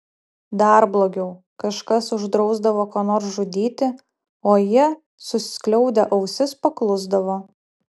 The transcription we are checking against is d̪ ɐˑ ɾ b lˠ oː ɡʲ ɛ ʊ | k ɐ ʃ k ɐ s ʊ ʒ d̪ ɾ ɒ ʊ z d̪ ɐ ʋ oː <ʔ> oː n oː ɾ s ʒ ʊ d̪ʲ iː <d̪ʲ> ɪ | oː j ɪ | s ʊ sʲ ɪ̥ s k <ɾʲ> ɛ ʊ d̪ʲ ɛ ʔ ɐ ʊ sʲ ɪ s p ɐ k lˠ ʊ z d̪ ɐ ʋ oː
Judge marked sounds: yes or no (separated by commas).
no, no, no